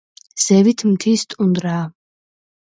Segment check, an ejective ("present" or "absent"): present